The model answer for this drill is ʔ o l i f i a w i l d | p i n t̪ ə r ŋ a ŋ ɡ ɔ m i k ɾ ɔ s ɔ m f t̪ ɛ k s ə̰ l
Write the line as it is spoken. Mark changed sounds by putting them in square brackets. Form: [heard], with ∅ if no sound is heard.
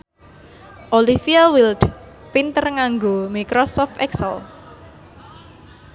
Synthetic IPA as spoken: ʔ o l i f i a w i l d | p i n t̪ ə r ŋ a ŋ ɡ [o] m i k ɾ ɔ s ɔ [∅] f t̪ ɛ k s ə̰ l

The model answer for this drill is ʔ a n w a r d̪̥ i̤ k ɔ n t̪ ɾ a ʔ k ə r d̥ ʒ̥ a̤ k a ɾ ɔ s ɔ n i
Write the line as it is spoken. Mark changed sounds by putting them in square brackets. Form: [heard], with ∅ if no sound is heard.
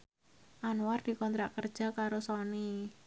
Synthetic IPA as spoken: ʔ a n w a r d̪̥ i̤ k ɔ n t̪ ɾ a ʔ k ə r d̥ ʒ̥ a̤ k a ɾ [o] s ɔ n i

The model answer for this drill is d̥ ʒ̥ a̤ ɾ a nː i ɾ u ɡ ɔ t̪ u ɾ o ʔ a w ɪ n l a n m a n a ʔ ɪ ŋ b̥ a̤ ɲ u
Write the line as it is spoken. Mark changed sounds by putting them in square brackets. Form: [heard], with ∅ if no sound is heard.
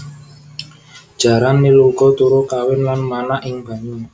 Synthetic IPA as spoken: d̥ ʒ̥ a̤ ɾ a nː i [l] u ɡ ɔ t̪ u ɾ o [k] a w ɪ n l a n m a n a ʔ ɪ ŋ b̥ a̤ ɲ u

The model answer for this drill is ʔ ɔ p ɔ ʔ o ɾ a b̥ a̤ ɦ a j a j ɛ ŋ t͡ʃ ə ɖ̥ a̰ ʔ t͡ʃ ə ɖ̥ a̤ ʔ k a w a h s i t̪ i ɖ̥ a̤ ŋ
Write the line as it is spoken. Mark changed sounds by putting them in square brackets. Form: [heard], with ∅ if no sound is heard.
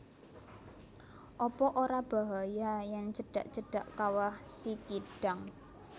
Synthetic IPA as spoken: ʔ ɔ p ɔ ʔ o ɾ a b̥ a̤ ɦ a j a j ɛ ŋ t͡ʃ ə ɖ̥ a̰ ʔ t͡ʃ ə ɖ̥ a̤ ʔ k a w a h s i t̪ i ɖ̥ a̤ ŋ

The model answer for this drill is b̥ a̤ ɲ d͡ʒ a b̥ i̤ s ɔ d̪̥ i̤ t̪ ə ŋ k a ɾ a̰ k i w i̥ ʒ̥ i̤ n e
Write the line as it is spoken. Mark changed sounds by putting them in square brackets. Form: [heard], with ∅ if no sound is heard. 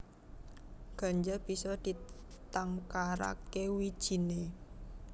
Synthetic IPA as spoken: [ɡ̥] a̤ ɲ d͡ʒ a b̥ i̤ s ɔ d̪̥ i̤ t̪ [a] ŋ k a ɾ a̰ k [e] w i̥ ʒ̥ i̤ n e

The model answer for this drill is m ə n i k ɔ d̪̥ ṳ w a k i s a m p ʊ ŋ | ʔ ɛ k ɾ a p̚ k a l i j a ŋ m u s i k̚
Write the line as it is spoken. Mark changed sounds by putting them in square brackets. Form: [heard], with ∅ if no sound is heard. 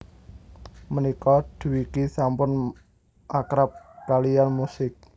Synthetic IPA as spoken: m ə n i k ɔ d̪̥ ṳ w [i] k i s a m p ʊ [n] | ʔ [a] k ɾ a p̚ k a l i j a [n] m u s [ɪ] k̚

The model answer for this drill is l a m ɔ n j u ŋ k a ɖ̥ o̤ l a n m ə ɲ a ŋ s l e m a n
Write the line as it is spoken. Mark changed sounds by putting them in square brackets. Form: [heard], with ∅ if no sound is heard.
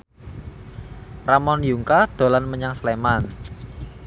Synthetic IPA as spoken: [r] a m ɔ n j u ŋ k a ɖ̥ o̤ l a n m ə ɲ a ŋ s l e m a n

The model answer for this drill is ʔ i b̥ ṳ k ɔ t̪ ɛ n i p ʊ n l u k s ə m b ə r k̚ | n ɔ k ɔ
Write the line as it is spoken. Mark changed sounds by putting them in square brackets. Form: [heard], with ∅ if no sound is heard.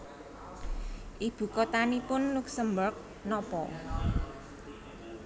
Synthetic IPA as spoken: ʔ i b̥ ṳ k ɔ t̪ [a] n i p ʊ n l u k s ə m b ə r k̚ | n ɔ [p] ɔ

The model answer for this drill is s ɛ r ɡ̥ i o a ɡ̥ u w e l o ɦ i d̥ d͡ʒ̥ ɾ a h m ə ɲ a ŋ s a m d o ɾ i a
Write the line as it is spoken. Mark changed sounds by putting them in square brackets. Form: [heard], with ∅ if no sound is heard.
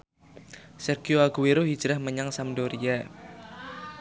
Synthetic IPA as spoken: s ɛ r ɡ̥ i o a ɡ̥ u w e [ɾ] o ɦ i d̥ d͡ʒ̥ ɾ a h m ə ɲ a ŋ s a m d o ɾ i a

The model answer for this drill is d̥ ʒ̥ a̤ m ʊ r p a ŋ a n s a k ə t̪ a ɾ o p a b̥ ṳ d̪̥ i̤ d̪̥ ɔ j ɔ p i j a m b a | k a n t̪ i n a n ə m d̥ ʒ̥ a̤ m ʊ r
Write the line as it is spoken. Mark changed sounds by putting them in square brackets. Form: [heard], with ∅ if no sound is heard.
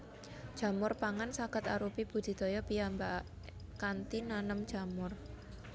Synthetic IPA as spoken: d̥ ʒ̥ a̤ m ʊ r p a ŋ a n s a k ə t̪ a ɾ [u] p [i] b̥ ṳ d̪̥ i̤ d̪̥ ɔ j ɔ p i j a m b a | k a n t̪ i n a n ə m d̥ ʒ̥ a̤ m ʊ r

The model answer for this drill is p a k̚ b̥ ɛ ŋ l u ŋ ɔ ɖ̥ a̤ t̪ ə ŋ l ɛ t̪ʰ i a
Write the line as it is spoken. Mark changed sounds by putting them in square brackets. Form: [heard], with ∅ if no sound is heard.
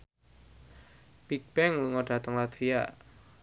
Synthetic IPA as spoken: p [i] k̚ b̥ ɛ ŋ l u ŋ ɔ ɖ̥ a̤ t̪ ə ŋ l [a] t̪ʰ i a

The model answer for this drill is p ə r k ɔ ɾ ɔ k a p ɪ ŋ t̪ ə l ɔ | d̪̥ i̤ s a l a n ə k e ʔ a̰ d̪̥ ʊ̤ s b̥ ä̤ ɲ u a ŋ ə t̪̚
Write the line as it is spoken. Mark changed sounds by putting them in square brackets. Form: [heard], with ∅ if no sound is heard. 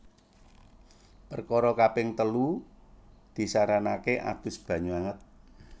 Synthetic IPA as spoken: p ə r k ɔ ɾ ɔ k a p ɪ ŋ t̪ ə l [u] | d̪̥ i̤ s a [ɾ] a n [a] k e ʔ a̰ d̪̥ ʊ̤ s b̥ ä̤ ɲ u a ŋ ə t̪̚

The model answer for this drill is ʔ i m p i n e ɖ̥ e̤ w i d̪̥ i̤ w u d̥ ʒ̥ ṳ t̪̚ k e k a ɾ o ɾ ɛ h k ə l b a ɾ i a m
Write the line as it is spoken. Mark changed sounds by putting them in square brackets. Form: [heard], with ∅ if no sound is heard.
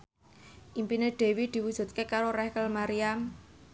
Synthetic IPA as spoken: ʔ i m p i n e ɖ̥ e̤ w i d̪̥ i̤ w u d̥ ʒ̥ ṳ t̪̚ k e k a ɾ o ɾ ɛ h k ə l [m] a ɾ i a m

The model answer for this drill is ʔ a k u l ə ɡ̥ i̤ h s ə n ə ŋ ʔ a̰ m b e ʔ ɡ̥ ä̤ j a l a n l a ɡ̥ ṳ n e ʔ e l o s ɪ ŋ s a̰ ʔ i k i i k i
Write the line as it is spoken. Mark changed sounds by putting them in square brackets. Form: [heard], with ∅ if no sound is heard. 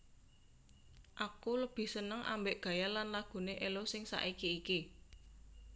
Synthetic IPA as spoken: ʔ a k u l ə [b̥] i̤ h s ə n ə ŋ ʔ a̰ m b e ʔ ɡ̥ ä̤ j a l a n l a ɡ̥ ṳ n e ʔ e l o s ɪ ŋ s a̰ ʔ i k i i k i

